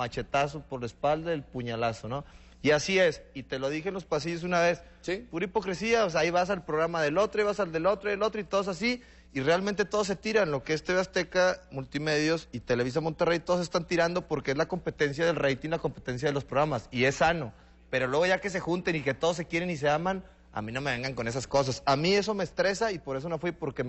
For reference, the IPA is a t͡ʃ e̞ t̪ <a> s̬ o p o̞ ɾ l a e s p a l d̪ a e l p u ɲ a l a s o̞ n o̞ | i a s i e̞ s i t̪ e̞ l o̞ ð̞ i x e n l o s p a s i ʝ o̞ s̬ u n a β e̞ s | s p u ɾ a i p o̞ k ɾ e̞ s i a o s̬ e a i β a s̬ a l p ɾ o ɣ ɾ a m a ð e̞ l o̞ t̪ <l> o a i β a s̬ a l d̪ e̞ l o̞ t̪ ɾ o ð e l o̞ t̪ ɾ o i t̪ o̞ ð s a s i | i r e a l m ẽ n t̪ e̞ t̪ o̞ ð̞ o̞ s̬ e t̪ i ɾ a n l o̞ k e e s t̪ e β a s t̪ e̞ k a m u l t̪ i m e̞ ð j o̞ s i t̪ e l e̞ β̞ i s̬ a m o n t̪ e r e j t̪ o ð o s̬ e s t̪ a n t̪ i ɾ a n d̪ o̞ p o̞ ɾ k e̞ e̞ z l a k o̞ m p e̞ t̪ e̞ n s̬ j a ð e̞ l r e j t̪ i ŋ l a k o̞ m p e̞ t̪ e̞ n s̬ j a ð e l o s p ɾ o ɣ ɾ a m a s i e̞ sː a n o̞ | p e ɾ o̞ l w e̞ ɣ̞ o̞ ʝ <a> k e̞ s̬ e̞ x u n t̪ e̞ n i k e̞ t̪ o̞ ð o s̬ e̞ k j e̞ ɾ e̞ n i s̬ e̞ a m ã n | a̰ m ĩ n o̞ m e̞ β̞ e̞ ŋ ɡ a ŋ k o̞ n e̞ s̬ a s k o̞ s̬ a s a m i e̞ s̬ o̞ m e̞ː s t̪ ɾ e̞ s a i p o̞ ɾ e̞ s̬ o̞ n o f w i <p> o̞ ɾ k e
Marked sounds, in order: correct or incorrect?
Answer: correct, incorrect: ɾ, correct, correct

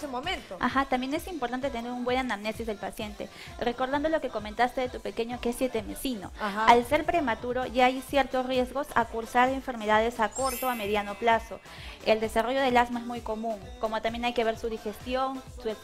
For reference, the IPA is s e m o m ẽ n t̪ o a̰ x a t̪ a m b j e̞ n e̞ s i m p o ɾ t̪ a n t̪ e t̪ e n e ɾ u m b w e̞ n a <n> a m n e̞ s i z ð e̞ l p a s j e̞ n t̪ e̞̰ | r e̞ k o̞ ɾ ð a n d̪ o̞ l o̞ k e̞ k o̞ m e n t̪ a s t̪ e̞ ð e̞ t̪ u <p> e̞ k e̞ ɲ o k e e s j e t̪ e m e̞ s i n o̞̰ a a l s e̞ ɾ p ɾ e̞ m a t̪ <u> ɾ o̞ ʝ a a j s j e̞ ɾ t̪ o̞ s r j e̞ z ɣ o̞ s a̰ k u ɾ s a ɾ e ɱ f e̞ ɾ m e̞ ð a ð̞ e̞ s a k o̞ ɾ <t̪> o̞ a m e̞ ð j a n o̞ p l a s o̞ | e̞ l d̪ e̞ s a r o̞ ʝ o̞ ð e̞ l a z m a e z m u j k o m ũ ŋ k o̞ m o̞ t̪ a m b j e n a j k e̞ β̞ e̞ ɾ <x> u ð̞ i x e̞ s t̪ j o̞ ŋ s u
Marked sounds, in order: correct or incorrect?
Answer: correct, correct, correct, correct, incorrect: s

